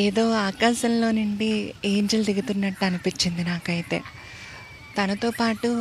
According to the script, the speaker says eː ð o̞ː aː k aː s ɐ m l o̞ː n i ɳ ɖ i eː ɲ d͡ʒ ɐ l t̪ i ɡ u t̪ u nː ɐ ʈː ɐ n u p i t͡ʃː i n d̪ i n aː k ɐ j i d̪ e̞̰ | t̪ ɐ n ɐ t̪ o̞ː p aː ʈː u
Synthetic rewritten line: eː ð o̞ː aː k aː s ɐ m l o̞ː n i ɳ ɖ i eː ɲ d͡ʒ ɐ l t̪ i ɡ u t̪ u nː ɐ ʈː ɐ n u p i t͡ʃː i n d̪ i n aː k ɐ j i t̪ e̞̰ | t̪ ɐ n ɐ t̪ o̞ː p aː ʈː u